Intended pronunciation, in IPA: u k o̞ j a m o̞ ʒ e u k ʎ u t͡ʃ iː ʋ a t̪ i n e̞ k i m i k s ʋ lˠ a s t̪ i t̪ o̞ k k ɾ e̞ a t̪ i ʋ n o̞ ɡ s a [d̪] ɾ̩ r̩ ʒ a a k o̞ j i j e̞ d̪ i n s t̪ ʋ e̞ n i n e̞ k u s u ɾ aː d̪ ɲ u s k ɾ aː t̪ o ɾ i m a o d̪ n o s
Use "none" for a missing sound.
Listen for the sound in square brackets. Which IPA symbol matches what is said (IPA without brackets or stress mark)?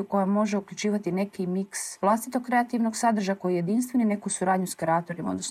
d̪